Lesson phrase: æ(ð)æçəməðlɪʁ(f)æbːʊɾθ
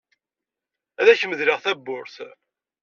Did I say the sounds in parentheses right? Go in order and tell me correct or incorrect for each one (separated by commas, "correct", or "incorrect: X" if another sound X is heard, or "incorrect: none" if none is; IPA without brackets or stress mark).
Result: correct, incorrect: θ